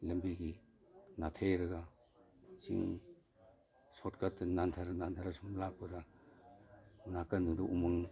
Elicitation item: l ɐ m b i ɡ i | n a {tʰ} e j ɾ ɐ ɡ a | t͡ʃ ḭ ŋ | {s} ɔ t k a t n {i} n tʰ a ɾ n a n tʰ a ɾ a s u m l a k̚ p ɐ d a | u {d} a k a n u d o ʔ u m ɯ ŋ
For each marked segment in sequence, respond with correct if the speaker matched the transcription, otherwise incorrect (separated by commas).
correct, correct, incorrect, incorrect